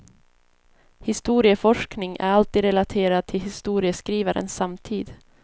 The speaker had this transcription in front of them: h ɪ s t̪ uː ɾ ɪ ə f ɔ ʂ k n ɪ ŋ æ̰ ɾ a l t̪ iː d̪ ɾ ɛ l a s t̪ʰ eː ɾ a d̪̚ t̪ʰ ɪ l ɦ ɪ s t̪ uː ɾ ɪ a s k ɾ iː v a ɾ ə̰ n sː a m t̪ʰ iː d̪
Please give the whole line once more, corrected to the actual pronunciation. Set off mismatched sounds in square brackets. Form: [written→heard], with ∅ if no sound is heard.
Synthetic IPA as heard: h ɪ s t̪ uː ɾ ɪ ə f ɔ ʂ k n ɪ ŋ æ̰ ɾ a l t̪ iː d̪ ɾ ɛ l a [s→∅] t̪ʰ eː ɾ a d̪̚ t̪ʰ ɪ l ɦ ɪ s t̪ uː ɾ ɪ [a→ə] s k ɾ iː v a ɾ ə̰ n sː a m t̪ʰ iː d̪

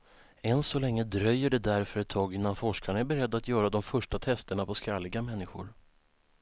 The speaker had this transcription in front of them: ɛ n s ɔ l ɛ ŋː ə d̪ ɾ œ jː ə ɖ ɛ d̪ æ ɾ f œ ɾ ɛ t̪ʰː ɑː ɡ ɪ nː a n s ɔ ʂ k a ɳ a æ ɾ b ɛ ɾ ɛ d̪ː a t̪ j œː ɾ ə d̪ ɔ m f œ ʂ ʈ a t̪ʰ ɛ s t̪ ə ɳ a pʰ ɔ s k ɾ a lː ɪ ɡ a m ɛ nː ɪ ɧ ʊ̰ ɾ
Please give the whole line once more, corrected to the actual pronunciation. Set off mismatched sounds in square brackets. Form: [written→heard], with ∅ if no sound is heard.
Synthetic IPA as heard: ɛ n s ɔ l ɛ ŋː ə d̪ ɾ œ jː ə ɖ ɛ d̪ æ ɾ f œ ɾ ɛ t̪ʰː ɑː ɡ ɪ nː a n [s→f] ɔ ʂ k a ɳ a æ ɾ b ɛ ɾ ɛ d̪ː a t̪ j œː ɾ [ə→a] d̪ ɔ m f œ ʂ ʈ a t̪ʰ ɛ s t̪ ə ɳ a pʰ ɔ s k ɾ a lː ɪ ɡ a m ɛ nː ɪ ɧ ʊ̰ ɾ

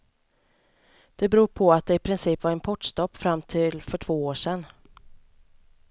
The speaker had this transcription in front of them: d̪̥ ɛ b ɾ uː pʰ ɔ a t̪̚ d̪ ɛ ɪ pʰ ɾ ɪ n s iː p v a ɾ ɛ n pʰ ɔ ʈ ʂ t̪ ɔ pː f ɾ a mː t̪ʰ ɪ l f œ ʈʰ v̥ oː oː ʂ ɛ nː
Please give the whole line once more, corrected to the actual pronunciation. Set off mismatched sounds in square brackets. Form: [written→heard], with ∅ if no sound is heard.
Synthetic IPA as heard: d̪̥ ɛ b ɾ uː pʰ ɔ a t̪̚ d̪ ɛ ɪ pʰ ɾ ɪ n s iː p v a ɾ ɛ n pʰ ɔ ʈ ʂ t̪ ɔ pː f ɾ a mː t̪ʰ ɪ l f œ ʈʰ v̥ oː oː ʂ ɛ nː

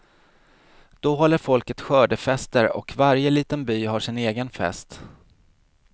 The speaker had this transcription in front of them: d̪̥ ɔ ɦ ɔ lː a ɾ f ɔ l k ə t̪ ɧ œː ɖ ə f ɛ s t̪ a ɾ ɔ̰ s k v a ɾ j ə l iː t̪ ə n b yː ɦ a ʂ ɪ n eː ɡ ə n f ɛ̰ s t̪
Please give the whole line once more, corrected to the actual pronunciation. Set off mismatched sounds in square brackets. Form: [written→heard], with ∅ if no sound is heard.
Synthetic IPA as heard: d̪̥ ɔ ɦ ɔ lː [a→ə] ɾ f ɔ l k ə t̪ ɧ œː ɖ ə f ɛ s t̪ [a→ə] ɾ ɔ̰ [s→∅] k v a ɾ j ə l iː t̪ ə n b yː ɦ a ʂ ɪ n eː ɡ ə n f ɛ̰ s t̪

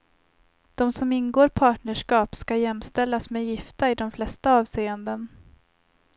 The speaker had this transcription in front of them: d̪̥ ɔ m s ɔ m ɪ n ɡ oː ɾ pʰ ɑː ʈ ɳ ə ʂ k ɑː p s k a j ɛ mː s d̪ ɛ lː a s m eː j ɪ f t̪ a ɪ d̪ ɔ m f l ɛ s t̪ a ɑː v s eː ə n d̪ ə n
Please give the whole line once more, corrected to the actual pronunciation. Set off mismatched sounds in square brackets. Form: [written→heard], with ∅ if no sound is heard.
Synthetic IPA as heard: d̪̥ ɔ m s ɔ m ɪ n ɡ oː ɾ pʰ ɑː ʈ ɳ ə ʂ k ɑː p s k a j ɛ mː s [d̪→t̪] ɛ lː a s m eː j ɪ f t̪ a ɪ d̪ ɔ m f l ɛ s t̪ a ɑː v s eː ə n d̪ ə n

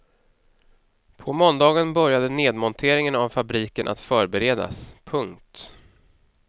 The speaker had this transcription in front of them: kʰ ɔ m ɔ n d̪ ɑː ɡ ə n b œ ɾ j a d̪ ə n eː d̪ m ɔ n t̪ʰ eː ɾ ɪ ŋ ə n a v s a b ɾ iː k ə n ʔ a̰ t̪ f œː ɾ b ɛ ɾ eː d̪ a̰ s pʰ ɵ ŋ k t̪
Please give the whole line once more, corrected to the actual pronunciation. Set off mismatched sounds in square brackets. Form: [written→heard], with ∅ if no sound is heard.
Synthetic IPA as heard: [kʰ→pʰ] ɔ m ɔ n d̪ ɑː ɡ ə n b œ ɾ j a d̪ ə n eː d̪ m ɔ n t̪ʰ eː ɾ ɪ ŋ ə n a v [s→f] a b ɾ iː k ə n ʔ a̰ t̪ f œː ɾ b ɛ ɾ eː d̪ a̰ s pʰ ɵ ŋ k t̪

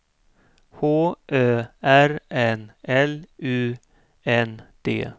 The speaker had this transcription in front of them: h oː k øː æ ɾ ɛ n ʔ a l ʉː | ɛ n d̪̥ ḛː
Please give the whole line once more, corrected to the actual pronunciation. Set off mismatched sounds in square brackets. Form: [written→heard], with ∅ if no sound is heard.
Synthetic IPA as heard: h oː [k→ʔ] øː æ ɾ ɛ n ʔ [a→ɛ] l ʉː | ɛ n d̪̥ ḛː

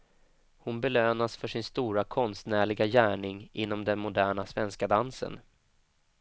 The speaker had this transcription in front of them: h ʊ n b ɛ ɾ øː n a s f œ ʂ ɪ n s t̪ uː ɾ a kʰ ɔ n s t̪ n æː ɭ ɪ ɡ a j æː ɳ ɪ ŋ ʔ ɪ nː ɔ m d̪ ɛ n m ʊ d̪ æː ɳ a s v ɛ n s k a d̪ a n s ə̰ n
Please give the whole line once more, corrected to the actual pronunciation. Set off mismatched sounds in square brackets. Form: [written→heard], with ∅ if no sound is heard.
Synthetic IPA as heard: h ʊ n b ɛ [ɾ→l] øː n a s f œ ʂ ɪ n s t̪ uː ɾ a kʰ ɔ n s t̪ n æː ɭ ɪ ɡ a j æː ɳ ɪ ŋ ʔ ɪ nː ɔ m d̪ ɛ n m ʊ d̪ æː ɳ a s v ɛ n s k a d̪ a n s ə̰ n

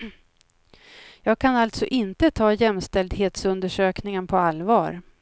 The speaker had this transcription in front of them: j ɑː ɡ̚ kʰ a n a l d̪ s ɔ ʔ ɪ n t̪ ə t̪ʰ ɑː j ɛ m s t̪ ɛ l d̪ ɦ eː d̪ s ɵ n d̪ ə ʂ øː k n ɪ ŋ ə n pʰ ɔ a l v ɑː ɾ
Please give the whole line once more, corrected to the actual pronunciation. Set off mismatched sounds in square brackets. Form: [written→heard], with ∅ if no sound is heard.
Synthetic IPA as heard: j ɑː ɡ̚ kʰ a n a l [d̪→t̪] s ɔ ʔ ɪ n t̪ ə t̪ʰ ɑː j ɛ m s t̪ ɛ l d̪ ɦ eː [d̪→t̪] s ɵ n d̪ ə ʂ øː k n ɪ ŋ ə n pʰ ɔ a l v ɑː ɾ

